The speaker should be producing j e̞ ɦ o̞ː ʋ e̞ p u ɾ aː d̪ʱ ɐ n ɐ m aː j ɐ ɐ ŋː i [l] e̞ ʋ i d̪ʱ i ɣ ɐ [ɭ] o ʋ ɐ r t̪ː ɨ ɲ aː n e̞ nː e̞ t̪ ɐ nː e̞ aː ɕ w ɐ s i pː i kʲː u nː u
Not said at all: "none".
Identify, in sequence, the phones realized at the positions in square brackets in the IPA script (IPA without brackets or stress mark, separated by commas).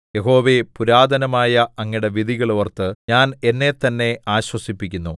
ɽ, ɭ